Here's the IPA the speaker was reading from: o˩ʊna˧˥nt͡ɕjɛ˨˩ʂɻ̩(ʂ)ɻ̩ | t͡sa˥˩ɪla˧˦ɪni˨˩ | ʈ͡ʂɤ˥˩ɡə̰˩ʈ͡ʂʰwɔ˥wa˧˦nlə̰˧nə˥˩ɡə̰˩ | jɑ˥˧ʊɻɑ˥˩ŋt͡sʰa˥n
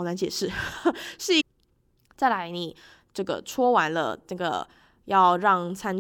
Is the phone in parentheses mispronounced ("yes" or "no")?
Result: no